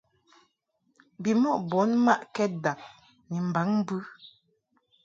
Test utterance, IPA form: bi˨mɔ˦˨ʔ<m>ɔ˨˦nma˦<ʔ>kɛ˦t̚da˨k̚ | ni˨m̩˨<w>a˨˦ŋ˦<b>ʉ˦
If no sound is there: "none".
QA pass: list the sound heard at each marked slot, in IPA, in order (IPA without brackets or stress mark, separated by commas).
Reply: b, ʔ, b, b